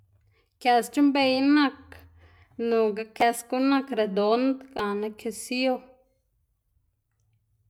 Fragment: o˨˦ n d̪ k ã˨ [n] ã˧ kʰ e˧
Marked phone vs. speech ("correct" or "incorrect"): correct